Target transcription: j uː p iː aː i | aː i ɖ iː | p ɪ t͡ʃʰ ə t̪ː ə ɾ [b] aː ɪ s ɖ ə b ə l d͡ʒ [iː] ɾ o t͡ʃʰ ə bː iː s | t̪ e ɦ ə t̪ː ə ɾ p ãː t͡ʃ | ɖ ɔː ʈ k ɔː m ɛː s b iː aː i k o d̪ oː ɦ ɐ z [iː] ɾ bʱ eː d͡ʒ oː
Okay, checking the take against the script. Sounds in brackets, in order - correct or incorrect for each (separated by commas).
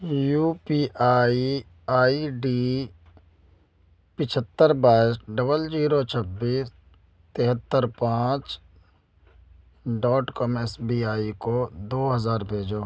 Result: correct, correct, incorrect